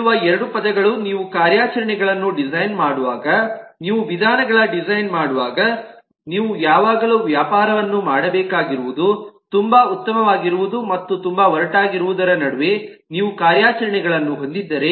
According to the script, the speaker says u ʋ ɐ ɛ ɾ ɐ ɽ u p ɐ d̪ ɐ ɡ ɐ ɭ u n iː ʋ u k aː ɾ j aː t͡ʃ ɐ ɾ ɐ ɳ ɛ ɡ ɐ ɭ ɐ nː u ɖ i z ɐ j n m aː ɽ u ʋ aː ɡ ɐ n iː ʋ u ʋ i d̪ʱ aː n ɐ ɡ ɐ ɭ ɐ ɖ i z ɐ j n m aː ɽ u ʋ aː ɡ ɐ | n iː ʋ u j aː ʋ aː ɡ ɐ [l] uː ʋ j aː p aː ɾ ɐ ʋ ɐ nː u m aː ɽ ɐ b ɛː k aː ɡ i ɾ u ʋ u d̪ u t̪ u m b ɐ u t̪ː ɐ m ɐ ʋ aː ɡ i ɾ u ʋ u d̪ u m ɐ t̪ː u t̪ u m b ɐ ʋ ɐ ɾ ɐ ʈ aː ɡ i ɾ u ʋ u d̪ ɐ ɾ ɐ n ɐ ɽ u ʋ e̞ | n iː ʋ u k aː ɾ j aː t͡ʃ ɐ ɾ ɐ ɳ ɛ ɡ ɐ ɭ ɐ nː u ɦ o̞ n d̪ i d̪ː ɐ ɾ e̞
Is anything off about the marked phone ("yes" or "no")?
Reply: no